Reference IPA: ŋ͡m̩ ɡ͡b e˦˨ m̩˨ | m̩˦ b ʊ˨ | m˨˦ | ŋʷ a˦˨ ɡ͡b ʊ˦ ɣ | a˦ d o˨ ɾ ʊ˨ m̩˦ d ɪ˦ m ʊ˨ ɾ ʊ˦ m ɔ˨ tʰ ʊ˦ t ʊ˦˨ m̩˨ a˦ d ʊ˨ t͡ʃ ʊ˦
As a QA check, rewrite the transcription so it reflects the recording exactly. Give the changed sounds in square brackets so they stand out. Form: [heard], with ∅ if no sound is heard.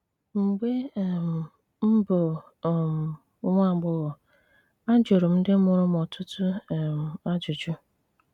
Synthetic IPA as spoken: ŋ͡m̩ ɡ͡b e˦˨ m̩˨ | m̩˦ b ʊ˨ | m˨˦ | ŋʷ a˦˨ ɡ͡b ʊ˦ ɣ | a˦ [d͡ʒ] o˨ ɾ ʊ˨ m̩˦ d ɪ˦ m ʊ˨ ɾ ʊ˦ m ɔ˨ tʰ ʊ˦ t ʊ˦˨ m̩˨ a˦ [d͡ʒ] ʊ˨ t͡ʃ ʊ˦